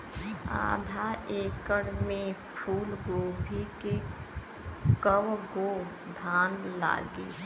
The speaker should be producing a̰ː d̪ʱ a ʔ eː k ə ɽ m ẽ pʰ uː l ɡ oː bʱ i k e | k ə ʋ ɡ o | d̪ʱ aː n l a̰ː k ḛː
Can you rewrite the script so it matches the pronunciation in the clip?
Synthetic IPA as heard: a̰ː d̪ʱ a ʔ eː k ə ɽ m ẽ pʰ uː l ɡ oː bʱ i k e | k ə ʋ ɡ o | d̪ʱ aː n l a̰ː ɡ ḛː